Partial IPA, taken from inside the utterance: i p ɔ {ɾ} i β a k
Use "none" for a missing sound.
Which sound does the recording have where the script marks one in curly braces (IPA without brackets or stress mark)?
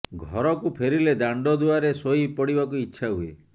ɽ